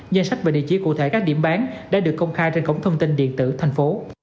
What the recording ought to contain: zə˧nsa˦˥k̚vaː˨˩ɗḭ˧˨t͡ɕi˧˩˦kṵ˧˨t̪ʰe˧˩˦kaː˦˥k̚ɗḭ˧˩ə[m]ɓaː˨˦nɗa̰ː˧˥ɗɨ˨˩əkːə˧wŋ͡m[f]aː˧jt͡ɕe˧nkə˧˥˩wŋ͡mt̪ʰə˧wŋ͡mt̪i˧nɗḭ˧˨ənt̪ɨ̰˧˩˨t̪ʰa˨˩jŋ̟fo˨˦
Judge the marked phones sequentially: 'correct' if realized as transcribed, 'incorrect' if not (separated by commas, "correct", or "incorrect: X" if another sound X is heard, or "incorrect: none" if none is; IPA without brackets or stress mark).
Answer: correct, incorrect: x